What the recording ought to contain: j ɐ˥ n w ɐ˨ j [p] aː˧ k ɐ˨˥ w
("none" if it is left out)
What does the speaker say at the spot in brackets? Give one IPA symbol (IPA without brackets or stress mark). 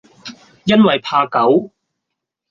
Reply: pʰ